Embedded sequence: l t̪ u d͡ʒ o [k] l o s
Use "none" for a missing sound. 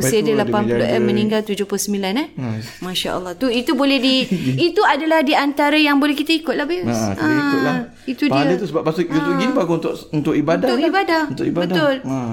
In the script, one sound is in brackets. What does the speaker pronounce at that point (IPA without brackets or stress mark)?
p